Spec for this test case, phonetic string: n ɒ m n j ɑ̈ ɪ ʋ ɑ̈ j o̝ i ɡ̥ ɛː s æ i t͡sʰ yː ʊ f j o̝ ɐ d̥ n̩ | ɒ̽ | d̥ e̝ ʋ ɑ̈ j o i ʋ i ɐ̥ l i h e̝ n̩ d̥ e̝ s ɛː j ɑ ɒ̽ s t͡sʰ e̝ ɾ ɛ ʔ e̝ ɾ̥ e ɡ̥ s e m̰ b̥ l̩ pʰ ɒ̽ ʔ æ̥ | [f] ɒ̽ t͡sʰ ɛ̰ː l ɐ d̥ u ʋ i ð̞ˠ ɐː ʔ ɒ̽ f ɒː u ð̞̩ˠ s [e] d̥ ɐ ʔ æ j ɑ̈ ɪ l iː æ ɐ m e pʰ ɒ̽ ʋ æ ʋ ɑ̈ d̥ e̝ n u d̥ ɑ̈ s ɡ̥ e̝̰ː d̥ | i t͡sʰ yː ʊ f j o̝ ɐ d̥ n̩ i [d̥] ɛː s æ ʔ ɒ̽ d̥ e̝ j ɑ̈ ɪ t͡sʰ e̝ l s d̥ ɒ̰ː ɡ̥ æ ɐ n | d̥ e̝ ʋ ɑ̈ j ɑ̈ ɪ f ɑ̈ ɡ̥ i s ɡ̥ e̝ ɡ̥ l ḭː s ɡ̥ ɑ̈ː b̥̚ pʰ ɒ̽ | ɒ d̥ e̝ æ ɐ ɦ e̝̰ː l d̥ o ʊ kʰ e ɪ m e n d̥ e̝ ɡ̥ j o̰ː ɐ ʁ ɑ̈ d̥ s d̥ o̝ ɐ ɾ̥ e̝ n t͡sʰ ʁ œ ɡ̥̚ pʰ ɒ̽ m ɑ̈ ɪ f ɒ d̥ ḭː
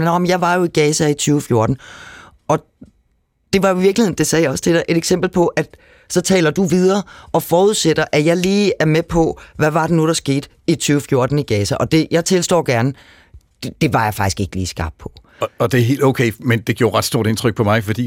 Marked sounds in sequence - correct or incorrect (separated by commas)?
incorrect, correct, incorrect